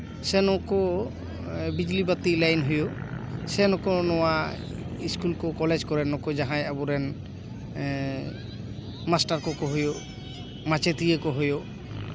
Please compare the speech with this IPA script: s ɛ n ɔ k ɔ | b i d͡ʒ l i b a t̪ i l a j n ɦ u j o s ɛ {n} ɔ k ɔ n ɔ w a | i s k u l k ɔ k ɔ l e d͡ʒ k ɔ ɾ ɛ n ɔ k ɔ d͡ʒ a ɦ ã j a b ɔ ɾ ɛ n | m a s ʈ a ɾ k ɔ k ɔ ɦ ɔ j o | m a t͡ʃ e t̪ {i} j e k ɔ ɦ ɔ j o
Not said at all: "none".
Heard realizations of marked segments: n, i

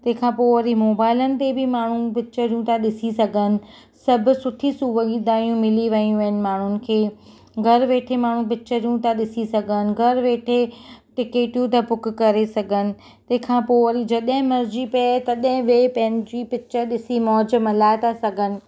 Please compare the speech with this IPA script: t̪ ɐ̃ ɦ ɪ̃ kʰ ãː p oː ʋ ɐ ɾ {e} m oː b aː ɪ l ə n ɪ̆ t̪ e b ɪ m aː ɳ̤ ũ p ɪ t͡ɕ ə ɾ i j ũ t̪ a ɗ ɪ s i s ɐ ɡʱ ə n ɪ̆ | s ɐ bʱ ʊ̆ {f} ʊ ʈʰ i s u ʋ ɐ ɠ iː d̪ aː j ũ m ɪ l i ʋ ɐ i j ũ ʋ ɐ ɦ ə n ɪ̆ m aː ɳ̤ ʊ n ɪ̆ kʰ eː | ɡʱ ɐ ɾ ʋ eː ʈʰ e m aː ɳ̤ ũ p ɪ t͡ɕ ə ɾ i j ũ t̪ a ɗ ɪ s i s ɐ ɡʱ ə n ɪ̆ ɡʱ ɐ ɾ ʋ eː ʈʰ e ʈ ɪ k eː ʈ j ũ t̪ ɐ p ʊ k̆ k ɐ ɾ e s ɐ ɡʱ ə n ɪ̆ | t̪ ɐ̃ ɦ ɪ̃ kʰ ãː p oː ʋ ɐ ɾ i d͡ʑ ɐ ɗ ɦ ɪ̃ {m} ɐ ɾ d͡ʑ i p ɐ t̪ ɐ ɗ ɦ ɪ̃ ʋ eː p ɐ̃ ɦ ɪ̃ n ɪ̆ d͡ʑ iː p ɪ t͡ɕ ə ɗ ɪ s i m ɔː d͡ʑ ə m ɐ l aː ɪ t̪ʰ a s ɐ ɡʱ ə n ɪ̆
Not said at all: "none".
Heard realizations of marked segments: i, s, m

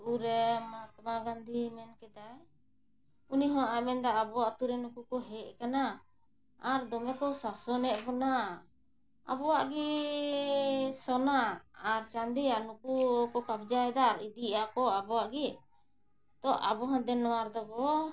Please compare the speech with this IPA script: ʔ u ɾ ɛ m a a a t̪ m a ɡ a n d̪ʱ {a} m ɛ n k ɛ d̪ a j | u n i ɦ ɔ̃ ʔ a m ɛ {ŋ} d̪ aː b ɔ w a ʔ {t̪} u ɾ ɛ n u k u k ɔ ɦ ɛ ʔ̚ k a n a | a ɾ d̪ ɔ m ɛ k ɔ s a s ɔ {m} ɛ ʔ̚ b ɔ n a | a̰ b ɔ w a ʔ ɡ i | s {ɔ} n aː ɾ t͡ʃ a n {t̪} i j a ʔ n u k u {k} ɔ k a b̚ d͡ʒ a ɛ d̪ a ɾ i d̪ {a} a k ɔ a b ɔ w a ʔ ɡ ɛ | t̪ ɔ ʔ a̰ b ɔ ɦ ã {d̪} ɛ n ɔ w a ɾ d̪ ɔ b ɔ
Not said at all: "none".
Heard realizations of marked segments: i, n, t̪, n, ɔ, d̪, k, i, d̪

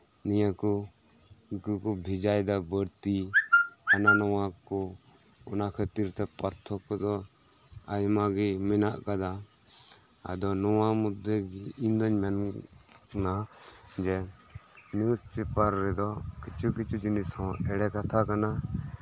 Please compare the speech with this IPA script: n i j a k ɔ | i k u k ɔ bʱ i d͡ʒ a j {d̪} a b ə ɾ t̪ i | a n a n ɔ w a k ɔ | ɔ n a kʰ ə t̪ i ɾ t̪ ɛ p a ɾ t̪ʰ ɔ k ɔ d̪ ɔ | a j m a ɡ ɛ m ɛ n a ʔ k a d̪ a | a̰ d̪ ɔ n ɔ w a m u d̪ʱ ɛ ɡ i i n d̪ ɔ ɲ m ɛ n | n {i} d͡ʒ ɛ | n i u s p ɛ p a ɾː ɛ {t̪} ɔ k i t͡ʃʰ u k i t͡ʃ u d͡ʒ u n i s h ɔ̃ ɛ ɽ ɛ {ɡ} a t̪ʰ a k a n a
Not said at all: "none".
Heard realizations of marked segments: d̪, a, d̪, k

